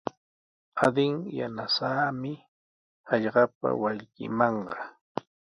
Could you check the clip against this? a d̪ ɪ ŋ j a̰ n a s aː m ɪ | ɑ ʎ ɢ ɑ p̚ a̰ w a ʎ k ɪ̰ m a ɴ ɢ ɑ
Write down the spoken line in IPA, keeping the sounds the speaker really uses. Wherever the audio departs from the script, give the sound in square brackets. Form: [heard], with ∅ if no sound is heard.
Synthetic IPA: a d̪ ɪ ŋ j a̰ n a s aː m ɪ | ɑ ʎ ɢ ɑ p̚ a̰ w a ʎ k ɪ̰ m [ɑ] ɴ ɢ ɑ